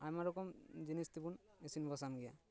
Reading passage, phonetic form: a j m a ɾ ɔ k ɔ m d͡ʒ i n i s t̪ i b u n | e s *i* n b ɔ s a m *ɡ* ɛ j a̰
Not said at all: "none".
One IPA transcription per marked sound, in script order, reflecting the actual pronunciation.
i, ɡ

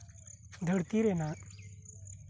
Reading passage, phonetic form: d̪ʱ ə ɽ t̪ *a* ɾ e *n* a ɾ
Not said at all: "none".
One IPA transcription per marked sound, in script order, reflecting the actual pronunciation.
i, n

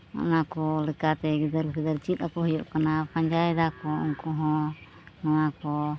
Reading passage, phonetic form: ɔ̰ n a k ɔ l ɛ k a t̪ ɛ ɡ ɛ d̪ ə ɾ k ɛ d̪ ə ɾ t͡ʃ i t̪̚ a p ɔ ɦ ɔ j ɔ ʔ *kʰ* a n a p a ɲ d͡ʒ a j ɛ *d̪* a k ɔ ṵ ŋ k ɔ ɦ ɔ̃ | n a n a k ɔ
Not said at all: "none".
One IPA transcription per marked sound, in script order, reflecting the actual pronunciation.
k, d̪

